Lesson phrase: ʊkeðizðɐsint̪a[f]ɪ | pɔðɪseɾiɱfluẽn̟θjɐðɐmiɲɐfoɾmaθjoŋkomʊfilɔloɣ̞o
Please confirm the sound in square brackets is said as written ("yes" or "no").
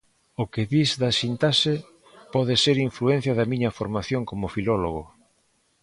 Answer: no